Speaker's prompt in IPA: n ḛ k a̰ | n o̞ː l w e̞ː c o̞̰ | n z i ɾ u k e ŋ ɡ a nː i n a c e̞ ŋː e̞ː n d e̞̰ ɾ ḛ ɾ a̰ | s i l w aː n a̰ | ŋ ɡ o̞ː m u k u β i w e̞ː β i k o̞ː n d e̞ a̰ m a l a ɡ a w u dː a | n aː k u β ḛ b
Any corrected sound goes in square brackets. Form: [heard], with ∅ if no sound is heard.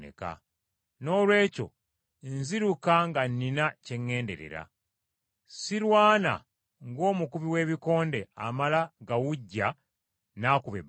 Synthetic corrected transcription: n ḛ k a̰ | n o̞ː l w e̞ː c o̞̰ | n z i ɾ u k [a] ŋ ɡ a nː i n a c e̞ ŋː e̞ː n d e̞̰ ɾ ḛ ɾ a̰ | s i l w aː n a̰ | ŋ ɡ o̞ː m u k u β i w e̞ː β i k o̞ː n d e̞ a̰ m a l a ɡ a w u [ɟː] a | n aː k u β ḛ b